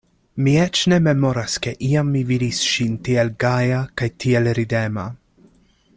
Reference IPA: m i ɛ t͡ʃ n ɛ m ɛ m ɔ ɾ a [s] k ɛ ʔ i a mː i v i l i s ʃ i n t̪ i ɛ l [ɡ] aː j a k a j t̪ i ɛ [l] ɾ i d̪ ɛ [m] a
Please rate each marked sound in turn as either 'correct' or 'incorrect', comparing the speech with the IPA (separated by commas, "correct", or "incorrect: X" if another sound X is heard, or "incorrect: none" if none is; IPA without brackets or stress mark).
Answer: correct, correct, correct, correct